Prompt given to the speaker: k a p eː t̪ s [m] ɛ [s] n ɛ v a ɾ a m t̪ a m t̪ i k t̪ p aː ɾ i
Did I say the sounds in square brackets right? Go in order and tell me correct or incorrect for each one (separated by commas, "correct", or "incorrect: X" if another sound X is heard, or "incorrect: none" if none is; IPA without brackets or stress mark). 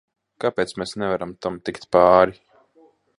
correct, correct